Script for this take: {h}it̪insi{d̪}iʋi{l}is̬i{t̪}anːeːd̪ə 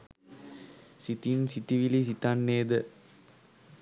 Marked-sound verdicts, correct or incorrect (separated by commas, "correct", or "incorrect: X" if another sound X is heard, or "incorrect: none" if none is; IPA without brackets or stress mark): incorrect: s, incorrect: t̪, correct, correct